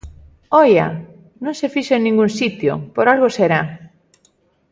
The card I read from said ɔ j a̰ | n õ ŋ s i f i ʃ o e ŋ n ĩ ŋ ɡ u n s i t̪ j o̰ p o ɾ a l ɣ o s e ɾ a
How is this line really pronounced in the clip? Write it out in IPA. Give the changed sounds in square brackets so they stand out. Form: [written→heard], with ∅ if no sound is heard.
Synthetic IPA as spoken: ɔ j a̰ | n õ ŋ s [i→e] f i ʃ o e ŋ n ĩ ŋ ɡ u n s i t̪ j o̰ p o ɾ a l ɣ o s e ɾ a